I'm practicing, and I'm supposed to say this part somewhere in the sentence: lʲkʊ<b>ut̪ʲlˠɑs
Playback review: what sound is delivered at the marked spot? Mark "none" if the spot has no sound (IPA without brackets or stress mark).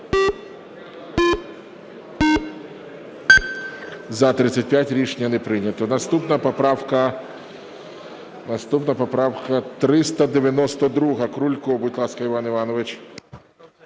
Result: b